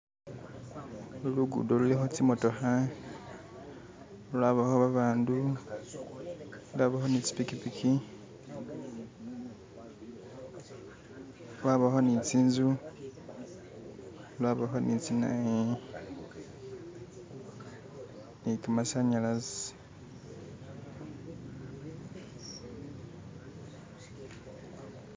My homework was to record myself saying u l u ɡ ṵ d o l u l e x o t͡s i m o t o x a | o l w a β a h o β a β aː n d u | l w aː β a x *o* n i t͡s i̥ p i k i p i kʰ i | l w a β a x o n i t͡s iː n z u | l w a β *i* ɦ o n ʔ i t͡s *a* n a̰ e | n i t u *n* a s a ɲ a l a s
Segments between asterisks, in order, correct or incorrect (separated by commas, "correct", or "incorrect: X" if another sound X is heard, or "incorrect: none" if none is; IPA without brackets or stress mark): correct, incorrect: a, incorrect: i, incorrect: m